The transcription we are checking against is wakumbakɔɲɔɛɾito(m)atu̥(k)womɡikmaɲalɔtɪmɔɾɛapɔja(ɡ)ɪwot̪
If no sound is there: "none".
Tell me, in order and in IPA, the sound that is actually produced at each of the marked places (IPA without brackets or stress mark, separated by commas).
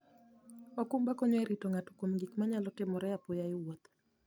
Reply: ŋ, k, none